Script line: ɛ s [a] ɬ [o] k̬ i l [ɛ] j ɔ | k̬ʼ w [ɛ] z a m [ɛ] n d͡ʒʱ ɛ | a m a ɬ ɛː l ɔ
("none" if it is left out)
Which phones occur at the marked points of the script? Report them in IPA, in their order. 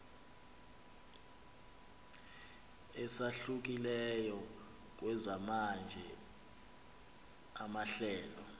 a, u, ɛ, ɛ, a

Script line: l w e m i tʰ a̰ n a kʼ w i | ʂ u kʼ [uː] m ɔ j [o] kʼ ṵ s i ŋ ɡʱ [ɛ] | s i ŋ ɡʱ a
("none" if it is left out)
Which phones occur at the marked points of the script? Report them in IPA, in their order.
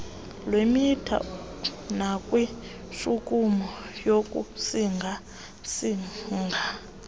u, o, a

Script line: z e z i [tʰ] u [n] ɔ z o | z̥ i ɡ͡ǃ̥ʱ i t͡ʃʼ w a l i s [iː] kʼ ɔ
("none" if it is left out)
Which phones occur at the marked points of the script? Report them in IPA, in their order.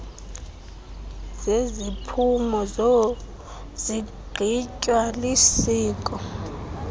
pʰ, m, iː

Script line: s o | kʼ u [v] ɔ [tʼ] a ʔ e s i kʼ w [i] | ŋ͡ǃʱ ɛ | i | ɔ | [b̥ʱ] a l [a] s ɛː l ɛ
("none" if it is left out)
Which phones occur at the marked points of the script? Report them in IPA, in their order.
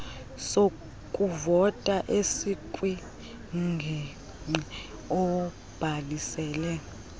v, tʼ, i, b̥ʱ, i

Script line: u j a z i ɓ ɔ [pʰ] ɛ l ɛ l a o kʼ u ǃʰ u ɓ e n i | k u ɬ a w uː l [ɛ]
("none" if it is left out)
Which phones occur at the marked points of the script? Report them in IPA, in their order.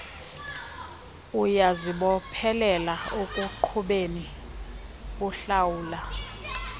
pʰ, a

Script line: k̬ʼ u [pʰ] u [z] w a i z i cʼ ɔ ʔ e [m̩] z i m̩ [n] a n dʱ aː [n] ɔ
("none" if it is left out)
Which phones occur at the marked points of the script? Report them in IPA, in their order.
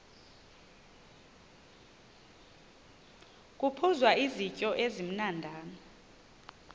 pʰ, z, none, n, n

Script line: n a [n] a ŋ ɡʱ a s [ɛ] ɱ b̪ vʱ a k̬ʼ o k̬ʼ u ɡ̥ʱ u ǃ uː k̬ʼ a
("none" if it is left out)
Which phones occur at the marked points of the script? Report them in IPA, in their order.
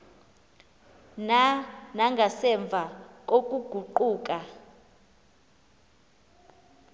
n, ɛ

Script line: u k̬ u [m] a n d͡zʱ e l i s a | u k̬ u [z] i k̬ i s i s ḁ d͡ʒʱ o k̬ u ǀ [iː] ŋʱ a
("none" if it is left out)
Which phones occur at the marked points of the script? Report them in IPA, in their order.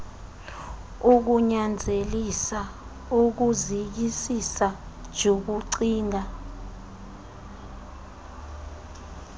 ɲ, z, iː

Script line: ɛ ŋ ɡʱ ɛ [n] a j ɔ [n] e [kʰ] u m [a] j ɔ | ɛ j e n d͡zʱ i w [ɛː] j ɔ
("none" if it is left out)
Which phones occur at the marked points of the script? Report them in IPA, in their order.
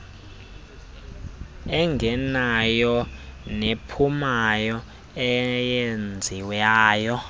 n, n, pʰ, a, aː

